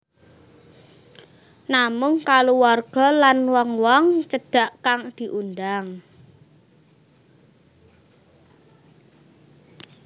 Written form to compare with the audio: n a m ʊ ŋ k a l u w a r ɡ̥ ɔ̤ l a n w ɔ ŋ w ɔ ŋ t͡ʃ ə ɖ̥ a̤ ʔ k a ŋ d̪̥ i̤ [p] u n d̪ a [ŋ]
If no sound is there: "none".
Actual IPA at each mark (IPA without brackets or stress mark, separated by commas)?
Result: ʔ, ŋ